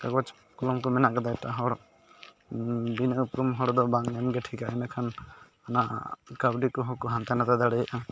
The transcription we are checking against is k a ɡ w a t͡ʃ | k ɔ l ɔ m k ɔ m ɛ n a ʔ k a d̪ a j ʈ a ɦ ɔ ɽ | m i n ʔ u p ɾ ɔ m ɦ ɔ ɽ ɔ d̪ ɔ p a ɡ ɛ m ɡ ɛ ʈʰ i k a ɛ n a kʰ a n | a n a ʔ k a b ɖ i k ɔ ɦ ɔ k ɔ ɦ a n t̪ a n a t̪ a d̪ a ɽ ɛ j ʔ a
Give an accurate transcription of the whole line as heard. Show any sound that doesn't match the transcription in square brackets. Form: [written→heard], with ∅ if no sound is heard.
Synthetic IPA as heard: k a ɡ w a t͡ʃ | k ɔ l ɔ m k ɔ m ɛ n a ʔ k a d̪ a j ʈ a ɦ ɔ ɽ | [m→b] i n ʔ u p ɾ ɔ m ɦ ɔ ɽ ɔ d̪ ɔ [p→b] a [ɡ→ŋ] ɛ m ɡ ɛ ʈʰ i k a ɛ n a kʰ a n | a n a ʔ k a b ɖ i k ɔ ɦ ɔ k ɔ ɦ a n t̪ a n a t̪ a d̪ a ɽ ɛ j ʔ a